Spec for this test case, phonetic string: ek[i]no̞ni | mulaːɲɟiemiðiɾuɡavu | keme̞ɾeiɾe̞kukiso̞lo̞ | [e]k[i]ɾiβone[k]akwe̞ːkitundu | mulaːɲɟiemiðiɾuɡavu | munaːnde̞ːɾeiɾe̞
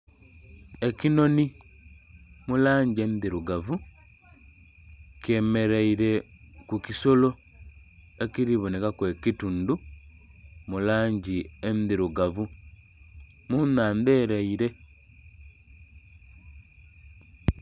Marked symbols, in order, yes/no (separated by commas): yes, yes, yes, yes